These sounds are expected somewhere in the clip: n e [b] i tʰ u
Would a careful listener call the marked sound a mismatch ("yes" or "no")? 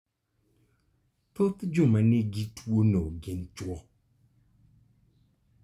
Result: yes